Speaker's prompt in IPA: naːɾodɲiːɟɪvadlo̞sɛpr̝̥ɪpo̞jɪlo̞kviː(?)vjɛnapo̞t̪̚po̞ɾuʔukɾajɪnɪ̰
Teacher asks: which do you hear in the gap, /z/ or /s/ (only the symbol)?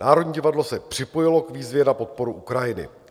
z